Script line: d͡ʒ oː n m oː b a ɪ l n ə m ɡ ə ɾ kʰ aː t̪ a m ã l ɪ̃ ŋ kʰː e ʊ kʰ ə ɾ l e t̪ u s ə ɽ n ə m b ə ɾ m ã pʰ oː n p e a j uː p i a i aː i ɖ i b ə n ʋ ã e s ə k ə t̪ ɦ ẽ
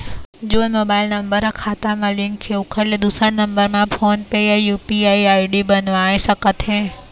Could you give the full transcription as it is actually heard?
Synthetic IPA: d͡ʒ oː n m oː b a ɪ l n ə m b ə ɾ kʰ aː t̪ a m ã l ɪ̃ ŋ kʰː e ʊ kʰ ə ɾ l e d̪ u s ə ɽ n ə m b ə ɾ m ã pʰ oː n p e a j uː p i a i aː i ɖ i b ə n ʋ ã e s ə k ə t̪ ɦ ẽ